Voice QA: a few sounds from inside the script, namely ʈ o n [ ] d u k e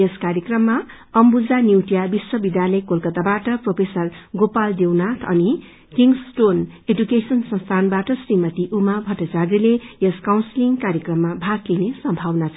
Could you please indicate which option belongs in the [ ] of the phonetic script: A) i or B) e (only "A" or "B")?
B